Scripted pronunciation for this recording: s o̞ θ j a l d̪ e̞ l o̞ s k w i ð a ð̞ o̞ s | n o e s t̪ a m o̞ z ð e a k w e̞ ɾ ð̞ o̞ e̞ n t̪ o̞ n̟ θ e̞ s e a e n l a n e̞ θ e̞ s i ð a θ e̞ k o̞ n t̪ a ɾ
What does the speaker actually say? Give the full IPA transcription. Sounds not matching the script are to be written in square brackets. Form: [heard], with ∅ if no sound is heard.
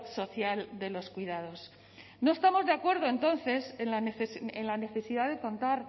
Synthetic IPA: s o̞ θ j a l d̪ e̞ l o̞ s k w i ð a ð̞ o̞ s | n o e s t̪ a m o̞ z ð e a k w e̞ ɾ ð̞ o̞ e̞ n t̪ o̞ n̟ θ e̞ s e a e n l a n e̞ θ e̞ s i ð a [ð] e̞ k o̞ n t̪ a ɾ